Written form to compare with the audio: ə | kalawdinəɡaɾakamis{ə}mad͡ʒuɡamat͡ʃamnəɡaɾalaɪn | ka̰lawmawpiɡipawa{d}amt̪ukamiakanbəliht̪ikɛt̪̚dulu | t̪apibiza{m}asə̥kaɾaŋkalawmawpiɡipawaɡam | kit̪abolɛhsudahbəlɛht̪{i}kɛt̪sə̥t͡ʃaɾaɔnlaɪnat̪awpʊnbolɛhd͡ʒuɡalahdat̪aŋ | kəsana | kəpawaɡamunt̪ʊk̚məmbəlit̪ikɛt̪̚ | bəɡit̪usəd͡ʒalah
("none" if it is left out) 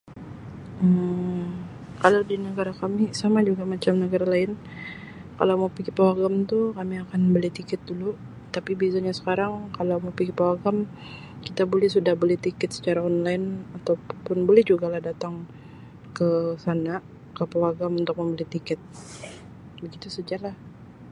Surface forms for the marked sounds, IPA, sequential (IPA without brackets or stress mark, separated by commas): a, ɡ, ɲ, i